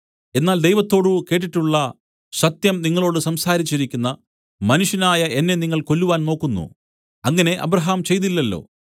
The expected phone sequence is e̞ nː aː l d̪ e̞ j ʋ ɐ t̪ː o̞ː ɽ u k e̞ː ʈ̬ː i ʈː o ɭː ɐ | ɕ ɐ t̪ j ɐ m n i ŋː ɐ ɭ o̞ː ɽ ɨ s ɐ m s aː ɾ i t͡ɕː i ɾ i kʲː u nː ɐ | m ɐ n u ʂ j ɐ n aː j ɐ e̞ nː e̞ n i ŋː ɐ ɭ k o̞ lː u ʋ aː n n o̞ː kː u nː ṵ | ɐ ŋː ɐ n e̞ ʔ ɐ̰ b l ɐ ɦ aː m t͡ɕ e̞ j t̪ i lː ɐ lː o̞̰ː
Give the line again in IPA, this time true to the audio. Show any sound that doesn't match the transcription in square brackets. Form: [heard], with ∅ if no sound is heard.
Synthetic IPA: e̞ nː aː l d̪ e̞ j ʋ ɐ t̪ː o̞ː ɽ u k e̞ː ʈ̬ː i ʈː [u] ɭː ɐ | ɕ ɐ t̪ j ɐ m n i ŋː ɐ ɭ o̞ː ɽ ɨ s ɐ m s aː ɾ i t͡ɕː i ɾ i kʲː u nː ɐ | m ɐ n u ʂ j ɐ n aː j ɐ e̞ nː e̞ n i ŋː ɐ ɭ k o̞ lː u ʋ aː n n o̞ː kː u nː ṵ | ɐ ŋː ɐ n e̞ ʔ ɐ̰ b [ɾ] ɐ ɦ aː m t͡ɕ e̞ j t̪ i lː ɐ lː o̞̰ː

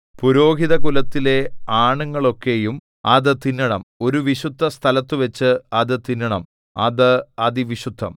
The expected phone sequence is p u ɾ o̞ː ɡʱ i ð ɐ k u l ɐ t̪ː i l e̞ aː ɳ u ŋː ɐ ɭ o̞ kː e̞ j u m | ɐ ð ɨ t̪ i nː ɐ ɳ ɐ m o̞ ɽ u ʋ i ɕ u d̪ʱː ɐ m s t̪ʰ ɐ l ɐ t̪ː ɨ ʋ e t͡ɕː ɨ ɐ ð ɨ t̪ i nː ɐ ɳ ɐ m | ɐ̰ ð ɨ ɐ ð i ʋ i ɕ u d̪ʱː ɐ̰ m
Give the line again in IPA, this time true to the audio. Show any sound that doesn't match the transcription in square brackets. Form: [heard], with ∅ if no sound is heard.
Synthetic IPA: p u ɾ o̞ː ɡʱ i ð ɐ k u l ɐ t̪ː i l e̞ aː ɳ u ŋː ɐ ɭ o̞ kː e̞ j u m | ɐ ð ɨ t̪ i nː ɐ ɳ ɐ m o̞ [ɾ] u ʋ i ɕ u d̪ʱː ɐ [∅] s t̪ʰ ɐ l ɐ t̪ː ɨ ʋ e t͡ɕː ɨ ɐ ð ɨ t̪ i nː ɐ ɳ ɐ m | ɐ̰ ð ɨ ɐ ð i ʋ i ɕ u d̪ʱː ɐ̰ m

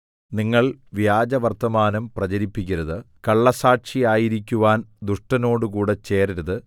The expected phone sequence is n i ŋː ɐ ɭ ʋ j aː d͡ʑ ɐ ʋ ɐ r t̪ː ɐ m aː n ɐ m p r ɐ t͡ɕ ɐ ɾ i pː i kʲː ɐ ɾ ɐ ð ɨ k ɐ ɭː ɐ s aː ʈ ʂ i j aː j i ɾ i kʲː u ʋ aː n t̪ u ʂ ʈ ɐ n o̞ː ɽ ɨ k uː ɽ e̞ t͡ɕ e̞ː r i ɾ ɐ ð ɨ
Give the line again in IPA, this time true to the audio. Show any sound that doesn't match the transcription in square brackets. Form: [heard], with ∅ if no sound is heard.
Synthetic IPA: n i ŋː ɐ ɭ ʋ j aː d͡ʑ ɐ ʋ ɐ r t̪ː ɐ m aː n ɐ m p r ɐ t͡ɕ ɐ ɾ i pː i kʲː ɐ ɾ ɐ ð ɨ k ɐ ɭː ɐ s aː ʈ ʂ i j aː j i ɾ i kʲː u ʋ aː n [d̪] u ʂ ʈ ɐ n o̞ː ɽ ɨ k uː ɽ e̞ t͡ɕ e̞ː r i ɾ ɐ ð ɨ

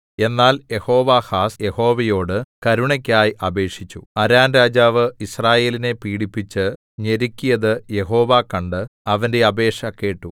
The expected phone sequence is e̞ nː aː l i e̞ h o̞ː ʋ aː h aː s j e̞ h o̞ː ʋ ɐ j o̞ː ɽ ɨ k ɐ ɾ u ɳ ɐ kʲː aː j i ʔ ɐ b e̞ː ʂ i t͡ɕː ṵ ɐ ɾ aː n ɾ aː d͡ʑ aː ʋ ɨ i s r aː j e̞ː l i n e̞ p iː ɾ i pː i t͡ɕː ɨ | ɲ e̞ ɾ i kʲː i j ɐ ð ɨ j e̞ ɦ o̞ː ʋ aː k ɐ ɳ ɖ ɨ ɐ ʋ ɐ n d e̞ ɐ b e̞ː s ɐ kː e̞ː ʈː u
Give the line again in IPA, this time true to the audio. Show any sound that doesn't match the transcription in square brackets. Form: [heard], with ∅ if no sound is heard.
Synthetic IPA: e̞ nː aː l [j] e̞ h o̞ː ʋ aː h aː s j e̞ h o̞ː ʋ ɐ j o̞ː ɽ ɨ k ɐ ɾ u ɳ ɐ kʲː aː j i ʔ ɐ b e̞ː ʂ i t͡ɕː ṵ ɐ ɾ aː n ɾ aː d͡ʑ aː ʋ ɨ i s r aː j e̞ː l i n e̞ p iː [ɽ] i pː i t͡ɕː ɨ | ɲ e̞ ɾ i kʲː i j ɐ ð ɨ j e̞ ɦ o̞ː ʋ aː k ɐ ɳ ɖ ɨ ɐ ʋ ɐ n d e̞ ɐ b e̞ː [ʂ] ɐ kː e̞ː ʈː u

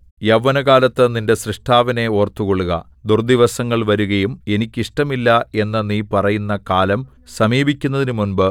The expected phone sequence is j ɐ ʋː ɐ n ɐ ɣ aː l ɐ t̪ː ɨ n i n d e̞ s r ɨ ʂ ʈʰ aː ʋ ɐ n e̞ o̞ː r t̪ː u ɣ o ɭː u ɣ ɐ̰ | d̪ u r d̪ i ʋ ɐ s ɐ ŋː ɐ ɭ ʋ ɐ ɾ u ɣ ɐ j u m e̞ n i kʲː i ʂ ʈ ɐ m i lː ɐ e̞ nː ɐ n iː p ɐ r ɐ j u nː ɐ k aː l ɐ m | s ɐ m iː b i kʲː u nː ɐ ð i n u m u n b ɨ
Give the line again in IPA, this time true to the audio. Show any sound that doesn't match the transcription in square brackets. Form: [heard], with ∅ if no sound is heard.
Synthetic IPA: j ɐ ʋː ɐ n ɐ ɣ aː l ɐ t̪ː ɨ n i n d e̞ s r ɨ ʂ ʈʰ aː ʋ ɐ n e̞ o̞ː r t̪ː u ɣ o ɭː u ɣ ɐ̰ | d̪ u r d̪ i ʋ ɐ s ɐ ŋː ɐ ɭ ʋ ɐ ɾ u ɣ ɐ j u m e̞ n i kʲː i ʂ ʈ ɐ m i lː ɐ e̞ nː ɐ n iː p ɐ r ɐ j u nː ɐ k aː l ɐ m | s ɐ m iː b i kʲː u nː ɐ ð i n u m u n b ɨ

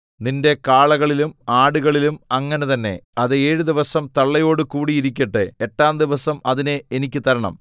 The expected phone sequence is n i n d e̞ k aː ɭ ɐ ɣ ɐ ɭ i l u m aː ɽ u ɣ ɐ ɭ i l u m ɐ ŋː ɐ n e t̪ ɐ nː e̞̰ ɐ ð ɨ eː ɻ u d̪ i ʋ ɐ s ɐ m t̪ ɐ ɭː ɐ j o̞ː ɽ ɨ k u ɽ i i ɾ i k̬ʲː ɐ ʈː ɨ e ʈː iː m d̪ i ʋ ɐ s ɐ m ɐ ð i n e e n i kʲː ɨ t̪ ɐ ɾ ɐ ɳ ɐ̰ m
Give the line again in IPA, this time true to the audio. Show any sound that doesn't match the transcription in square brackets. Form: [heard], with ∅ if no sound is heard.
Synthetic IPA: n i n d e̞ k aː ɭ ɐ ɣ ɐ ɭ i l u m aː ɽ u ɣ ɐ ɭ i l u m ɐ ŋː ɐ n e t̪ ɐ nː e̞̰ ɐ ð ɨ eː ɻ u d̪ i ʋ ɐ s ɐ m t̪ ɐ ɭː ɐ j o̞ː ɽ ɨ k [uː] ɽ i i ɾ i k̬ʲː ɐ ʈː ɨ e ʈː [aː] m d̪ i ʋ ɐ s ɐ m ɐ ð i n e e n i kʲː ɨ t̪ ɐ ɾ ɐ ɳ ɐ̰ m

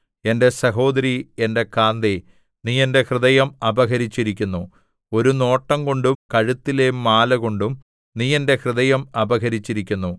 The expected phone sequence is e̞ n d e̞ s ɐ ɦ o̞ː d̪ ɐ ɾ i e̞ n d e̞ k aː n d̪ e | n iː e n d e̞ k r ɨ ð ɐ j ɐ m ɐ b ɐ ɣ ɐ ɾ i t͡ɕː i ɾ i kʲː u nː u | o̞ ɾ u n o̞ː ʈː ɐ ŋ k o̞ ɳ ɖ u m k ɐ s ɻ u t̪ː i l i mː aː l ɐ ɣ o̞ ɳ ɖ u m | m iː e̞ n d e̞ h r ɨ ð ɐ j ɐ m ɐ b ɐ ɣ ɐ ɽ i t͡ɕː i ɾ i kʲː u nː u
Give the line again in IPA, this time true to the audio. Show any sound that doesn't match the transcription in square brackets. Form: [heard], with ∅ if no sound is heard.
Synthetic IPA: e̞ n d e̞ s ɐ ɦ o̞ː d̪ ɐ ɾ i e̞ n d e̞ k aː n d̪ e | n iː e n d e̞ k r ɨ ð ɐ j ɐ m ɐ b ɐ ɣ ɐ ɾ i t͡ɕː i ɾ i kʲː u nː u | o̞ ɾ u n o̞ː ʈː ɐ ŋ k o̞ ɳ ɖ u m k ɐ [∅] ɻ u t̪ː i l [e] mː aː l ɐ ɣ o̞ ɳ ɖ u m | [n] iː e̞ n d e̞ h r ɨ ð ɐ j ɐ m ɐ b ɐ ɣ ɐ [ɾ] i t͡ɕː i ɾ i kʲː u nː u

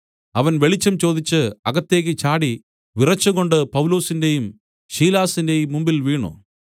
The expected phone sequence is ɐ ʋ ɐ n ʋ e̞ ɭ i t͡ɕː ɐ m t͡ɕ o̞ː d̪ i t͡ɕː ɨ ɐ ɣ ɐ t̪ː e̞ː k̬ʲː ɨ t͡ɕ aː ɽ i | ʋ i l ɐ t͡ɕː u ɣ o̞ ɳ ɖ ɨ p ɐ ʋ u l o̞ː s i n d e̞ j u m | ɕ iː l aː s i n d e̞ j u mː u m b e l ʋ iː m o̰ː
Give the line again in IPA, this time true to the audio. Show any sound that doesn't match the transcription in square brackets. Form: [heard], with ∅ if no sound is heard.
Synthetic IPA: ɐ ʋ ɐ n ʋ e̞ ɭ i t͡ɕː ɐ m t͡ɕ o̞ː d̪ i t͡ɕː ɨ ɐ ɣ ɐ t̪ː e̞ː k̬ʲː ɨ t͡ɕ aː ɽ i | ʋ i [r] ɐ t͡ɕː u ɣ o̞ ɳ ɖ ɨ p ɐ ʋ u l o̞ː s i n d e̞ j u m | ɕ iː l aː s i n d e̞ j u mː u m b [i] l ʋ iː [ɳ] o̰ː

